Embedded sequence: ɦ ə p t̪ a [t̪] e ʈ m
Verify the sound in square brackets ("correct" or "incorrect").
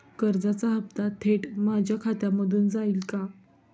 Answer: incorrect